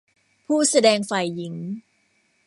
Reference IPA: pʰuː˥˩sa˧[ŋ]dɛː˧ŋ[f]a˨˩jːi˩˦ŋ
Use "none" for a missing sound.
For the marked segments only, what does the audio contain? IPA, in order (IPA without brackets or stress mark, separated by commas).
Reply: none, f